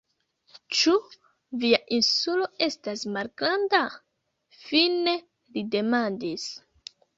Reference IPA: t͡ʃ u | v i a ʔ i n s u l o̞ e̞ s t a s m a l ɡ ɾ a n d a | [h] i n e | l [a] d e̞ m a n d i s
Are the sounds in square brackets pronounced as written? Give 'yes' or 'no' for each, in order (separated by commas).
no, no